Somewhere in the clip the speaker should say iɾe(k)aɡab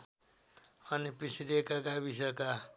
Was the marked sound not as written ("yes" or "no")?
no